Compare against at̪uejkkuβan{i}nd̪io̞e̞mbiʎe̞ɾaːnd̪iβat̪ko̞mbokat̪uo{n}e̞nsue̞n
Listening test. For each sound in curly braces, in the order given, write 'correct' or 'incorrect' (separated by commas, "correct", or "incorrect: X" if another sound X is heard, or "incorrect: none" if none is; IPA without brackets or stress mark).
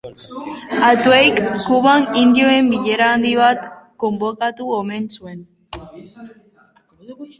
correct, incorrect: m